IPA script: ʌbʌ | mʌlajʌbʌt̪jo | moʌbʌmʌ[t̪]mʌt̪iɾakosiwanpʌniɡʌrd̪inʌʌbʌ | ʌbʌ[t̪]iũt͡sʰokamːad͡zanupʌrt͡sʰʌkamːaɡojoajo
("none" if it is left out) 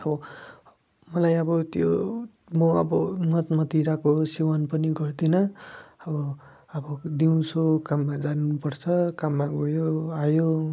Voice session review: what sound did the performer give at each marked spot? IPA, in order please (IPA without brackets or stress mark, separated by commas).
t̪, d̪